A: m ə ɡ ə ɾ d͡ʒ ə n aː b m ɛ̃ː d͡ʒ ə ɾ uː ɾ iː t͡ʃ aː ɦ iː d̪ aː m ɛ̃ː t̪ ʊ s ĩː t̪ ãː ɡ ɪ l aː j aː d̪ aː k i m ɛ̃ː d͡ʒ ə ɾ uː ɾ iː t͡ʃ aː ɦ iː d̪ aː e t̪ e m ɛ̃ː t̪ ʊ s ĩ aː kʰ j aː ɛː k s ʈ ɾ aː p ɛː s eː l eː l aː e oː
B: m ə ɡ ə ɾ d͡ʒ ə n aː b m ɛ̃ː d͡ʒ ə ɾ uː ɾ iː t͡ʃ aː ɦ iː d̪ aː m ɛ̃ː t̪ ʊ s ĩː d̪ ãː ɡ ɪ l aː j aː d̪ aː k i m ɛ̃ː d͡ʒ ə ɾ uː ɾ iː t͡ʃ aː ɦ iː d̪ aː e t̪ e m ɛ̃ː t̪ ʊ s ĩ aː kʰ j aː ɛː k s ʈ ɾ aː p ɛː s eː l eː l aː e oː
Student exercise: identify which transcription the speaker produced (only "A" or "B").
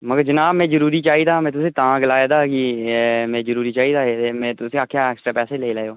A